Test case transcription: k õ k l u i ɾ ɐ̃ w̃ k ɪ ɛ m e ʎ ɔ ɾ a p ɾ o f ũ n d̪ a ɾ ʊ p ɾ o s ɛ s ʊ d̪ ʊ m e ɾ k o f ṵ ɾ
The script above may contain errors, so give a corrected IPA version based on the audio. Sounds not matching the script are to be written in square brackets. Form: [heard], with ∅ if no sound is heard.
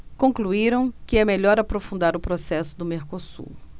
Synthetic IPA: k õ k l u i ɾ ɐ̃ w̃ k ɪ ɛ m e ʎ ɔ ɾ a p ɾ o f ũ n d̪ a ɾ ʊ p ɾ o s ɛ s ʊ d̪ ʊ m e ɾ k o [s] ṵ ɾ